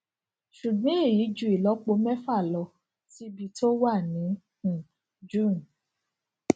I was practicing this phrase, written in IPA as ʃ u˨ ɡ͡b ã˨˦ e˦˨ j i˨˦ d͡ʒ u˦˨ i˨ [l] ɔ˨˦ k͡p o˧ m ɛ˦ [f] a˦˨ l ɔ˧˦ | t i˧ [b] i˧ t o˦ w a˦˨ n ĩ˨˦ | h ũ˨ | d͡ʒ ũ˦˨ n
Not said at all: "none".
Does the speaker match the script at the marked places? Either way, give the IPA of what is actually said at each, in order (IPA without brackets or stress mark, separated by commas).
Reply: l, f, b